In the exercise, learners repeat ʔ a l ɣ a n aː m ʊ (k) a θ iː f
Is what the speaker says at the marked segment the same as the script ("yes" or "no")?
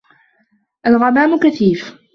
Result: yes